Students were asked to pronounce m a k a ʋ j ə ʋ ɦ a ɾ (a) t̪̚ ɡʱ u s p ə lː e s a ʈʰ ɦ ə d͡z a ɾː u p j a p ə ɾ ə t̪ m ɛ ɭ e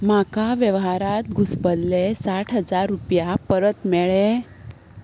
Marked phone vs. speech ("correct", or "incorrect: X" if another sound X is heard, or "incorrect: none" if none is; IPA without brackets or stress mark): correct